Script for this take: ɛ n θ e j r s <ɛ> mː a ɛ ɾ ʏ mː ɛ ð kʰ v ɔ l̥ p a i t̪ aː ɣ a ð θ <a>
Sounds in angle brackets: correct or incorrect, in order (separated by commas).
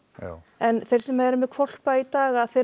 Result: correct, incorrect